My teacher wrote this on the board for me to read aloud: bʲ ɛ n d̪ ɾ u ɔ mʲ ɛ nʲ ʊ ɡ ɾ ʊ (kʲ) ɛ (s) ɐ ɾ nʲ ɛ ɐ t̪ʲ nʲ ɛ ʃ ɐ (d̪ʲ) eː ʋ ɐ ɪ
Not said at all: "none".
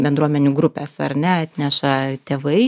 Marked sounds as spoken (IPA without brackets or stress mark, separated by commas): pʲ, s, t̪ʲ